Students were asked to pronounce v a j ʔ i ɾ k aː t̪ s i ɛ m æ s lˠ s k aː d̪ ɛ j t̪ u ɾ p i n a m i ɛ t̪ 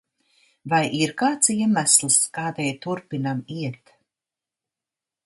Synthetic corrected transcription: v a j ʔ i ɾ k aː t̪ s i ɛ m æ s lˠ s k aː d̪ ɛ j t̪ u ɾ p i n a m i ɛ t̪